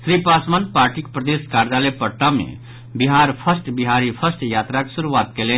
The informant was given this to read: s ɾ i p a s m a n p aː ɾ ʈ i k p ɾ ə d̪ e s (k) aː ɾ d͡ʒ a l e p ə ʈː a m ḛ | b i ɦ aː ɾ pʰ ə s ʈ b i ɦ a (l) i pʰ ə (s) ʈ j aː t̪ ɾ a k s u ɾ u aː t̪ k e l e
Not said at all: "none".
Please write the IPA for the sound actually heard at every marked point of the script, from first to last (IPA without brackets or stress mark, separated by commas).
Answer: k, ɾ, s